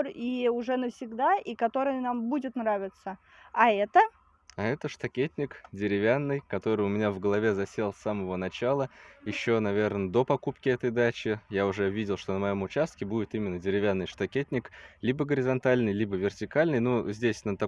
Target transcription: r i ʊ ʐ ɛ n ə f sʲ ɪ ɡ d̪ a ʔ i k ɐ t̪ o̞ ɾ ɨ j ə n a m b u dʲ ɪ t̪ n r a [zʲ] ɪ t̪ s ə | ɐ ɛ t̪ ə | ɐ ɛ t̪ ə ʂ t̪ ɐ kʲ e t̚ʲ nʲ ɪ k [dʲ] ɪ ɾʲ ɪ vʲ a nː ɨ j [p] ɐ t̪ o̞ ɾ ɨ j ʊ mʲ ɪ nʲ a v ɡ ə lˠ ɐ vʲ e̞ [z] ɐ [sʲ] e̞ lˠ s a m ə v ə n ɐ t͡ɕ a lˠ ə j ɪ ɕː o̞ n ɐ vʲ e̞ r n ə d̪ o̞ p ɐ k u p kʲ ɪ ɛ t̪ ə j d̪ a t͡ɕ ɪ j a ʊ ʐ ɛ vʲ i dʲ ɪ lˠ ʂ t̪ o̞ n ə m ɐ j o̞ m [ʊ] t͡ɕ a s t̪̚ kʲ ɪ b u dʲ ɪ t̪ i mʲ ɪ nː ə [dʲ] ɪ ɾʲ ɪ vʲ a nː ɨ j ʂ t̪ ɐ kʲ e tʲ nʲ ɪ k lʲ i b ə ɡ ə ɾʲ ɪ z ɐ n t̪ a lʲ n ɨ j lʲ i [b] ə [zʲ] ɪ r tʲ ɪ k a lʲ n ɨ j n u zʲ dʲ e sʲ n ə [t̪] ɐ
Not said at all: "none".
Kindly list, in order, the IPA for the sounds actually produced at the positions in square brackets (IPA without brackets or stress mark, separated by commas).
vʲ, dʲ, k, z, sʲ, ʊ, dʲ, b, vʲ, t̪